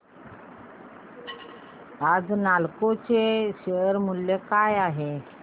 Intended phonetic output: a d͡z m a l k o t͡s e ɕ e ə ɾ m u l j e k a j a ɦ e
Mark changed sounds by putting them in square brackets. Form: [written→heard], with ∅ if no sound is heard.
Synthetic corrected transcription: a d͡z [m→n] a l k o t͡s e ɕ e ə ɾ m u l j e k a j a ɦ e